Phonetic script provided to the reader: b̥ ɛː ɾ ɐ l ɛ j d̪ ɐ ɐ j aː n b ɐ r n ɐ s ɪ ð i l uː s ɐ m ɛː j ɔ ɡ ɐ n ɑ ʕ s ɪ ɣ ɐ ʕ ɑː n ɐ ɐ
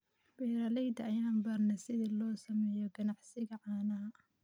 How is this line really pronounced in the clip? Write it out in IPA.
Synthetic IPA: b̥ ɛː ɾ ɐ l ɛ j d̪ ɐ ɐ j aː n b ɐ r n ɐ s ɪ ð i l ɔː s ɐ m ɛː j ɔ ɡ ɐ n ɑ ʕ s ɪ ɣ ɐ ʕ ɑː n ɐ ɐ